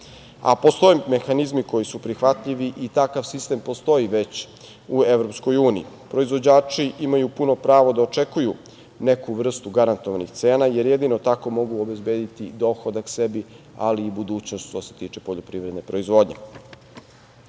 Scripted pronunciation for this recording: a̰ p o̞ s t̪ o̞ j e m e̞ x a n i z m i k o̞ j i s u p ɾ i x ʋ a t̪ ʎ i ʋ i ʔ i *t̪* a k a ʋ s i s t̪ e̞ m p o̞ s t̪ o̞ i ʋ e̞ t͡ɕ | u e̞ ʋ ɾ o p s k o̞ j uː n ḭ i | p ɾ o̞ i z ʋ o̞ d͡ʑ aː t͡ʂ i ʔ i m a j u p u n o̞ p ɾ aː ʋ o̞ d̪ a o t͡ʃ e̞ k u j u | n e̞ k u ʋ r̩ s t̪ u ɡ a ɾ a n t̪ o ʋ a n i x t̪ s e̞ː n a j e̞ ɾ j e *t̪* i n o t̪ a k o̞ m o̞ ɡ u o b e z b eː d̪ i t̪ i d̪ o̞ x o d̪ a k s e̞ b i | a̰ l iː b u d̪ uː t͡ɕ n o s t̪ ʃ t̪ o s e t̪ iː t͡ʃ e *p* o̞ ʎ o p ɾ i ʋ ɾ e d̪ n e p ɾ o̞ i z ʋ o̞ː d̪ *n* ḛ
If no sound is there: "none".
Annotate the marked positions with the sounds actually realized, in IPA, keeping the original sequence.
t̪, d̪, p, ɲ

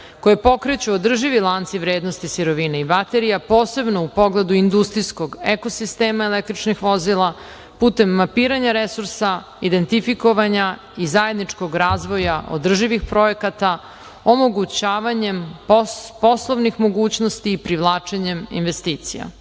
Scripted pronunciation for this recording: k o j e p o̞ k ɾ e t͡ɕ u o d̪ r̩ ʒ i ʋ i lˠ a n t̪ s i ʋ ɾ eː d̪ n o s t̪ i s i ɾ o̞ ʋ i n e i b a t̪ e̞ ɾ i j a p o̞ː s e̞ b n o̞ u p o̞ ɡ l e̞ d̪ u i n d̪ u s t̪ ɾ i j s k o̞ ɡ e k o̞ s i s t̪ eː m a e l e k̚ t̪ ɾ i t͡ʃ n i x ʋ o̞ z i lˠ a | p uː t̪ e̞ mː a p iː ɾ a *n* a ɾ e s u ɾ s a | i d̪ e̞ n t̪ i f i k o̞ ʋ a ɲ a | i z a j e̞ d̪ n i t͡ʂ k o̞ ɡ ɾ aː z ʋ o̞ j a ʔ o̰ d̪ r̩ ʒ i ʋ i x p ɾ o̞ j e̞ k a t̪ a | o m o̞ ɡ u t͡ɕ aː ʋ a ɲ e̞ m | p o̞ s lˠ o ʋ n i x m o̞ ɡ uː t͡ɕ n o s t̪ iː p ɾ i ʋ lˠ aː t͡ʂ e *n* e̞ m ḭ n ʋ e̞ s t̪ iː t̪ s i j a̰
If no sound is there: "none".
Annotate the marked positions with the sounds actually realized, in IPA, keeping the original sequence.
ɲ, ɲ

